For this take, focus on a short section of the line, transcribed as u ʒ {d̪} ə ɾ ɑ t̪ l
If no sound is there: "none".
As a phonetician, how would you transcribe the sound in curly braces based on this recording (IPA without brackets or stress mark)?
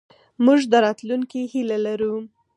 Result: d̪